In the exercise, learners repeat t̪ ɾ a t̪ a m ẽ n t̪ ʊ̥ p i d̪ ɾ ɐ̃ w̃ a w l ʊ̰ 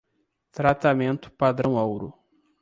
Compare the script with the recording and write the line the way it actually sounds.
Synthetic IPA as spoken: t̪ ɾ a t̪ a m ẽ n t̪ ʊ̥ p a d̪ ɾ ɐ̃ w̃ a w ɾ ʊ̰

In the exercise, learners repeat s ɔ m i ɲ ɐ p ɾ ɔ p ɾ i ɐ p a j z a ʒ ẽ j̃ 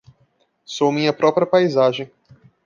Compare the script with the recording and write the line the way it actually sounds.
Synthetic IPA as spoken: s o m ĩ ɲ ɐ p ɾ ɔ p ɾ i ɐ p a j z a ʒ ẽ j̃

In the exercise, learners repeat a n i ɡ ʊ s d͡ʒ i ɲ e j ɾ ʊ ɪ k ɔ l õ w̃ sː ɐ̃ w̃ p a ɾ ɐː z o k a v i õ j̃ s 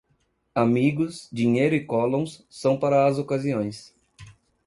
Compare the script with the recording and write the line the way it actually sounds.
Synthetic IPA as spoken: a m i ɡ ʊ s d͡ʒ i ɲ e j ɾ ʊ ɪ k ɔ l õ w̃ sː ɐ̃ w̃ p a ɾ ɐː z o k a z i õ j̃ s

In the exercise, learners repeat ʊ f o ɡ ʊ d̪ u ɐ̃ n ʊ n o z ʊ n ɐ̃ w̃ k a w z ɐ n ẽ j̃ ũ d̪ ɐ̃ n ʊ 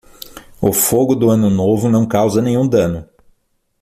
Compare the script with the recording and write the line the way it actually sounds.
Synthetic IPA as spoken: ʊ f o ɡ ʊ d̪ ʊ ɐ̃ n ʊ n o v ʊ n ɐ̃ w̃ k a w z ɐ n ẽ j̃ ũ d̪ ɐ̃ n ʊ

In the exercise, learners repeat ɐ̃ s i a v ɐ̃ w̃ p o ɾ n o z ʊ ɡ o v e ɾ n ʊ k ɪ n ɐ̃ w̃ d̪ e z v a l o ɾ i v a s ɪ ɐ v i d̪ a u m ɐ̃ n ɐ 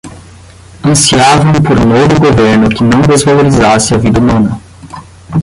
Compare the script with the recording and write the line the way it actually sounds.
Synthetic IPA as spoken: ɐ̃ s i a v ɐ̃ w̃ p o ɾ n o v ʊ ɡ o v e ɾ n ʊ k ɪ n ɐ̃ w̃ d̪ e z v a l o ɾ i z a s ɪ ɐ v i d̪ ɐ u m ɐ̃ n ɐ

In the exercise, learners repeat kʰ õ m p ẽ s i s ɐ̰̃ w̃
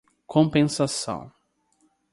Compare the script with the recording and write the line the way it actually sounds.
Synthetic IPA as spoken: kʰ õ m p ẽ s a s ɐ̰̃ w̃

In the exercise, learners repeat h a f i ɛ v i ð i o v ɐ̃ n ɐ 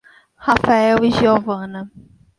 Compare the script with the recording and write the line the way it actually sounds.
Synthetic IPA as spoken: h a f a ɛ w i ʒ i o v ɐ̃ n ɐ

